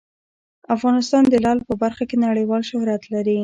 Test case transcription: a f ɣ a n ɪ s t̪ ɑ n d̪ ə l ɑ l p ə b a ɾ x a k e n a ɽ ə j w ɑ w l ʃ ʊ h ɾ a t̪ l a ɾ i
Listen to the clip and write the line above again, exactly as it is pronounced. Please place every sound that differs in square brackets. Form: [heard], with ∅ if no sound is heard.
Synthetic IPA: a f ɣ [ɑ] n ɪ s t̪ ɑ n d̪ ə l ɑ l p ə b a ɾ x a k e n a ɽ ə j w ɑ [∅] l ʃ ʊ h ɾ a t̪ l a ɾ i